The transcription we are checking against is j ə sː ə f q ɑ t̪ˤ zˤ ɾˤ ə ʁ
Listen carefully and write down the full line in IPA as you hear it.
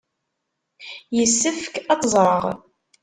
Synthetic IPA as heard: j ə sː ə f k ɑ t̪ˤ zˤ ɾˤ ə ʁ